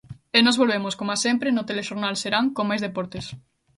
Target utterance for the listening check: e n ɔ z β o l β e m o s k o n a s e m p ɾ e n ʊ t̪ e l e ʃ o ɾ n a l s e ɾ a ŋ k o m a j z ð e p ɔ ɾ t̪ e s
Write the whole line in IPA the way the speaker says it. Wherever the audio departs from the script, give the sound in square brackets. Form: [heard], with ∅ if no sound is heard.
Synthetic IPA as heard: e n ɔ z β o l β e m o s k o [m] a s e m p ɾ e n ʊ t̪ e l e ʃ o ɾ n a l s e ɾ a ŋ k o m a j z ð e p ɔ ɾ t̪ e s